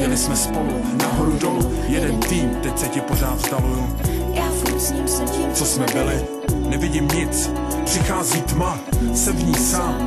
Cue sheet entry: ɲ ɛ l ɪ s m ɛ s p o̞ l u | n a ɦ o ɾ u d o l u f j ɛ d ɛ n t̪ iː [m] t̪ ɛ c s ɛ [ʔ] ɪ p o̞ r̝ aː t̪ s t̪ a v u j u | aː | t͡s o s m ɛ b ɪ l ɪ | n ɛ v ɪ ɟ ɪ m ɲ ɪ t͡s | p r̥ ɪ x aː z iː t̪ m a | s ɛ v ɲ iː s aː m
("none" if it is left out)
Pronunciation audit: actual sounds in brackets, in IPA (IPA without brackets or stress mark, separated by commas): m, c